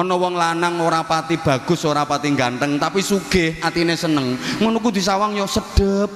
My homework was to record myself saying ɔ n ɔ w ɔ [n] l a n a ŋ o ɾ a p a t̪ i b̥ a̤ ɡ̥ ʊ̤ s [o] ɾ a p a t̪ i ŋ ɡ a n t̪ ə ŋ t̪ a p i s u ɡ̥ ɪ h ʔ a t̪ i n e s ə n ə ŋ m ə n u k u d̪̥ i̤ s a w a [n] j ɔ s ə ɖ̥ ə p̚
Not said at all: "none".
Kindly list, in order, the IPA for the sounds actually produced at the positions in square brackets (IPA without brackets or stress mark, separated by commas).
ŋ, o, ŋ